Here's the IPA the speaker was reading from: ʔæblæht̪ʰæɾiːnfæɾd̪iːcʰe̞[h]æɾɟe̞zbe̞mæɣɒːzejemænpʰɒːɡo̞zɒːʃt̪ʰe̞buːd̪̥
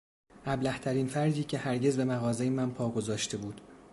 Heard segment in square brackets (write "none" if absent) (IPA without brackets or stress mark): h